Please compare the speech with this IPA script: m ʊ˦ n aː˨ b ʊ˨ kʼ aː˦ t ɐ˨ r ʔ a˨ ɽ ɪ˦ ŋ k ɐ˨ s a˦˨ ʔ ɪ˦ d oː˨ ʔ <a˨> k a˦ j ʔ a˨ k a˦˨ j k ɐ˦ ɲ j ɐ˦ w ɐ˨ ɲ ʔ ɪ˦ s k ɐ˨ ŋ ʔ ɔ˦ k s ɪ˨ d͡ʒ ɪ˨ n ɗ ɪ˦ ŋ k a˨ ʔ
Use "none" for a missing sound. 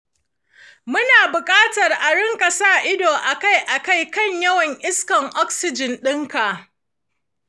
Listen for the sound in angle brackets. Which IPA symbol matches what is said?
a˨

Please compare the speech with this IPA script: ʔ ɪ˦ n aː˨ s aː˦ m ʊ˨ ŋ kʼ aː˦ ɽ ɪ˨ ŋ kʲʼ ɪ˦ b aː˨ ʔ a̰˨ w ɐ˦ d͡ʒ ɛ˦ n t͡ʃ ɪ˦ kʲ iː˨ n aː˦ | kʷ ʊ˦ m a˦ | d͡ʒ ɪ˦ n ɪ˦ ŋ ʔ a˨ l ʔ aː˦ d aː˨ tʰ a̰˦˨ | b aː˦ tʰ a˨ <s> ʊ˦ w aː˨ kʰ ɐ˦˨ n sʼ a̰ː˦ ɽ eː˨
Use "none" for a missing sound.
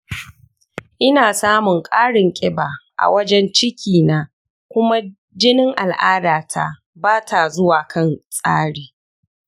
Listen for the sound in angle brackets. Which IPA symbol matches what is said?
z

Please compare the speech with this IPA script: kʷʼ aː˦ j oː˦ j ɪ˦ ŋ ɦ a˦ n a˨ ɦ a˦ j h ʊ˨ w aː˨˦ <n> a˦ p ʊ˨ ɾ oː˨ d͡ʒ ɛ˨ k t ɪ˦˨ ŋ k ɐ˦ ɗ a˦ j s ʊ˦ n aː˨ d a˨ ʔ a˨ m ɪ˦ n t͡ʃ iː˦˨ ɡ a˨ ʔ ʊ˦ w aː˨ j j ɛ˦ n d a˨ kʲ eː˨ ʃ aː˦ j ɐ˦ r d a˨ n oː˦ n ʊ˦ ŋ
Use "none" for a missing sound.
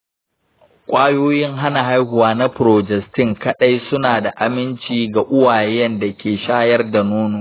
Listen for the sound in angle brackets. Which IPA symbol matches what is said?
n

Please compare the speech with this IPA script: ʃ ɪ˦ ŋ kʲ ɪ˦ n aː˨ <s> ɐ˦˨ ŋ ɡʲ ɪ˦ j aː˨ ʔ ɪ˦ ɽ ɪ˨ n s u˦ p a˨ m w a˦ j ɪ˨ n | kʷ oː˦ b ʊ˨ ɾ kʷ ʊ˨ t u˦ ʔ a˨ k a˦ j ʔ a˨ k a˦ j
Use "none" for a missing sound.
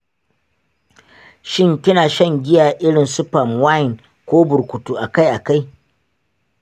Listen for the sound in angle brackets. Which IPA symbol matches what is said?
ʃ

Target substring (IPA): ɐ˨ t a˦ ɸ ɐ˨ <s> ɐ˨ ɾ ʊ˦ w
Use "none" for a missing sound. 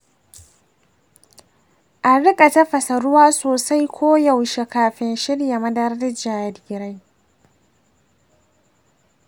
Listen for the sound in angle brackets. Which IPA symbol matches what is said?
s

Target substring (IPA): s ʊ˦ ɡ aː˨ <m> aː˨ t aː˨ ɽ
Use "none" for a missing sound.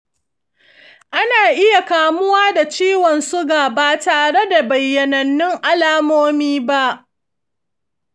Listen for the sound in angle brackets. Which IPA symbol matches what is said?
b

